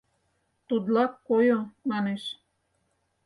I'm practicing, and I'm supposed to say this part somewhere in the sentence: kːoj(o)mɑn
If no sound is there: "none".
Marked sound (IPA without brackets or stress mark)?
o